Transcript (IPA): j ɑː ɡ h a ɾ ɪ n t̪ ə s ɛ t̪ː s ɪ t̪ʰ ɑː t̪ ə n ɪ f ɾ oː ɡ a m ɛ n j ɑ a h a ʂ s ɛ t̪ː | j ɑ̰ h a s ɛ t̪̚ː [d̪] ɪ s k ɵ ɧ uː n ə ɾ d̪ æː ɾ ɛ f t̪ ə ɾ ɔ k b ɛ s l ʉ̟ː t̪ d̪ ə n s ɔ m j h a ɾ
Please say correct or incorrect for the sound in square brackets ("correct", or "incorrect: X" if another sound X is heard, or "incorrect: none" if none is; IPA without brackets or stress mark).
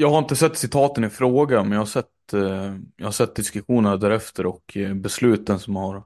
correct